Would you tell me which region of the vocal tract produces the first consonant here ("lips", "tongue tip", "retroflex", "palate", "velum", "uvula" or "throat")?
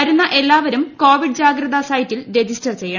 tongue tip